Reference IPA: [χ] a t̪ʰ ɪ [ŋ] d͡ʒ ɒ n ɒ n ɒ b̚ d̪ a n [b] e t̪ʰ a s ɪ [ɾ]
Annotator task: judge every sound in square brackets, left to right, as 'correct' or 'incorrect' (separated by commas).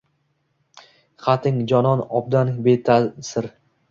correct, correct, correct, correct